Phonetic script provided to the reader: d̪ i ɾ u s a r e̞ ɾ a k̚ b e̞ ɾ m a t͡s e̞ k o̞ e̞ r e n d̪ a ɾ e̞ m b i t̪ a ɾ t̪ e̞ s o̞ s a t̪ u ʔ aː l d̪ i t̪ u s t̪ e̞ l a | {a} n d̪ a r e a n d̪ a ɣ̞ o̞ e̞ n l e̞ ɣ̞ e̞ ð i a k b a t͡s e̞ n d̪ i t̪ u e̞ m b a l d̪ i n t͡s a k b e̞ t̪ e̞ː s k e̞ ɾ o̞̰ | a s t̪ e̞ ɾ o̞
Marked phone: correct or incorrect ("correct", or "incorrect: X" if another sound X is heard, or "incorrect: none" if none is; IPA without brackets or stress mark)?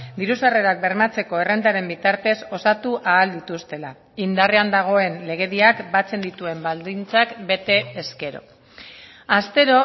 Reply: incorrect: i